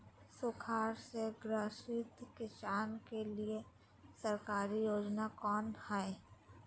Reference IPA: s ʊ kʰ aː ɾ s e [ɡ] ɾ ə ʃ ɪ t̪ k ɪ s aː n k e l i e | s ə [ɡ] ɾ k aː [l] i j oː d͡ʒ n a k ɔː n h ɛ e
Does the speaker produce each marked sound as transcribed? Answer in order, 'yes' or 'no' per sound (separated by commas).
yes, no, no